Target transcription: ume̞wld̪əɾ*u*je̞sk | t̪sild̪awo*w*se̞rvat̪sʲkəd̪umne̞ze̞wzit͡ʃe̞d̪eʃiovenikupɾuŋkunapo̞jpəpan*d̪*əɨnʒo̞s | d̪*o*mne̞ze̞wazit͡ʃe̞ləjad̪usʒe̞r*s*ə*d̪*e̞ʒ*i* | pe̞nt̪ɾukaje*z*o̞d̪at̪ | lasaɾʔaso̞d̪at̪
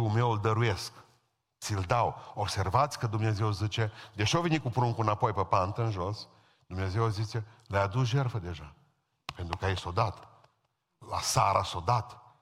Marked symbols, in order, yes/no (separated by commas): yes, no, no, no, no, yes, no, no